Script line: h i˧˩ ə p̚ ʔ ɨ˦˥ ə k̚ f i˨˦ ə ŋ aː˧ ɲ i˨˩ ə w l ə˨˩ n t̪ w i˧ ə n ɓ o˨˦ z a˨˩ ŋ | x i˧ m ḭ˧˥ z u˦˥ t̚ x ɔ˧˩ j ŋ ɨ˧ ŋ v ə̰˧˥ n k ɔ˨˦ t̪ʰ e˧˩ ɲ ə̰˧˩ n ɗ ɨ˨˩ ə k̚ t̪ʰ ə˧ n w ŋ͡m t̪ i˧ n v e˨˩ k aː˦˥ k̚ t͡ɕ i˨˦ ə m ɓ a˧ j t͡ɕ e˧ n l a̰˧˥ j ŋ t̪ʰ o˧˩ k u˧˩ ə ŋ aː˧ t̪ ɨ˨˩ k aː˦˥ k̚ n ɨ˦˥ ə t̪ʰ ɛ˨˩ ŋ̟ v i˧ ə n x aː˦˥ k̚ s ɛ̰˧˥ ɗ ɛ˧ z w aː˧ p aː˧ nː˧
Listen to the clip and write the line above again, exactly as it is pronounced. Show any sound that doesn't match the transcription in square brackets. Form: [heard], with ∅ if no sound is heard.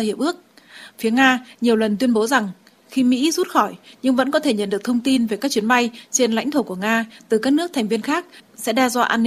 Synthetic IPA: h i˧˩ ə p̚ ʔ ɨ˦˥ ə k̚ f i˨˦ ə ŋ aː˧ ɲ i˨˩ ə w l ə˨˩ n t̪ w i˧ ə n ɓ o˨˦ z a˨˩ ŋ | x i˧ m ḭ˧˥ z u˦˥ t̚ x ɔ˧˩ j [ɲ] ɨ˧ ŋ v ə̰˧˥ n k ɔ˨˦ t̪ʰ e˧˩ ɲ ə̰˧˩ n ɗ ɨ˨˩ ə k̚ t̪ʰ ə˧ [∅] w ŋ͡m t̪ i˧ n v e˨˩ k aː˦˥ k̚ t͡ɕ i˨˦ ə [n] ɓ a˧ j t͡ɕ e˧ n l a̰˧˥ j ŋ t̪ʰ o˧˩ k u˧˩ ə ŋ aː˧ t̪ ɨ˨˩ k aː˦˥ k̚ n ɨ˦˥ ə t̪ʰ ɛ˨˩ ŋ̟ v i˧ ə n x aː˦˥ k̚ s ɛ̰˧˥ ɗ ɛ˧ z w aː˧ [ʔ] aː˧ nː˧